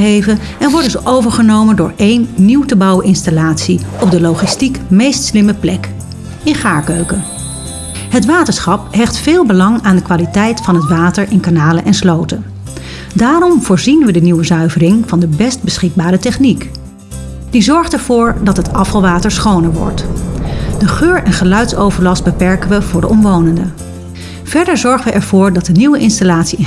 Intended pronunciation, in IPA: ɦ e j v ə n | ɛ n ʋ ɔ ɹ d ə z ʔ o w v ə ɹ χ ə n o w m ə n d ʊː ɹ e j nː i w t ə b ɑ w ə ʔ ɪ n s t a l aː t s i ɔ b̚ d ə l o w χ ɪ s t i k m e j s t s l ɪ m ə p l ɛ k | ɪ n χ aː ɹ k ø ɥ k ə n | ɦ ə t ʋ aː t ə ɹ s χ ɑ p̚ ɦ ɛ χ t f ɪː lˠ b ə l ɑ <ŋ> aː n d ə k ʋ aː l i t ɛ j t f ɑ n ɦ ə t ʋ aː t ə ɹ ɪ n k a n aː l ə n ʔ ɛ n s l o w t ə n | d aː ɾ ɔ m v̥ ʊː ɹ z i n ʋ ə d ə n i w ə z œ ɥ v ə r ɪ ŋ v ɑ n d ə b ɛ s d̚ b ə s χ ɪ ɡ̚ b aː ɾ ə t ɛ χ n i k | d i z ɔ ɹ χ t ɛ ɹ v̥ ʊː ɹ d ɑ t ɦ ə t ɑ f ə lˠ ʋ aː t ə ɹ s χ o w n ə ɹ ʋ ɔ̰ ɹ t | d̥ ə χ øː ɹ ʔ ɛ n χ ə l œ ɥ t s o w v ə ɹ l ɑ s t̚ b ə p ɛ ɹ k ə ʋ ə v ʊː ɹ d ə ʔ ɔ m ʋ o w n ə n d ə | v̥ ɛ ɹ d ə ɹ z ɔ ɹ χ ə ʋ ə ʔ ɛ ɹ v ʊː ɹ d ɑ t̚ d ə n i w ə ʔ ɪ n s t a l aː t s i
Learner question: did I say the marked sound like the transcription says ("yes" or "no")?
yes